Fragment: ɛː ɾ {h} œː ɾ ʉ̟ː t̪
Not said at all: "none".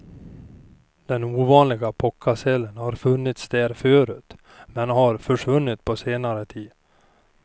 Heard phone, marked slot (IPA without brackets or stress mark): f